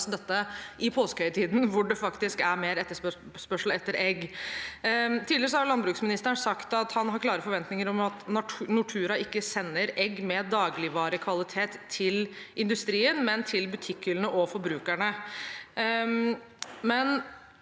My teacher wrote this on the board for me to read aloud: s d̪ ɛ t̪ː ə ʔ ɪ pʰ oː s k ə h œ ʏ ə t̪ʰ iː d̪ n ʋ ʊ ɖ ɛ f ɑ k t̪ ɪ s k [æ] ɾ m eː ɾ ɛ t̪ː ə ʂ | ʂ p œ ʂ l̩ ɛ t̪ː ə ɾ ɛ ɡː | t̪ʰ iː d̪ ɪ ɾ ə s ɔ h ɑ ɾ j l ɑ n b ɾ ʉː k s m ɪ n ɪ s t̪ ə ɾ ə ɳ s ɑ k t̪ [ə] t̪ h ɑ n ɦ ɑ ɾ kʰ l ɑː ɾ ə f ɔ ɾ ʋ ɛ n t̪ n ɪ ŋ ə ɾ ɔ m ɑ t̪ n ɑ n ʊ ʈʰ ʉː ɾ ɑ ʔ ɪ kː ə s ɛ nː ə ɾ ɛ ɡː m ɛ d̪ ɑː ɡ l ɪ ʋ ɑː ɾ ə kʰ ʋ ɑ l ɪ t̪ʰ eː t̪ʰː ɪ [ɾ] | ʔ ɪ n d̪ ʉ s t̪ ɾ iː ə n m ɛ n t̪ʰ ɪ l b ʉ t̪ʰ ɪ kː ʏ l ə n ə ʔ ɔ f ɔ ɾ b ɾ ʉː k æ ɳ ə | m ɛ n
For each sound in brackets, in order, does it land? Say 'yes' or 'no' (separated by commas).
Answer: yes, no, no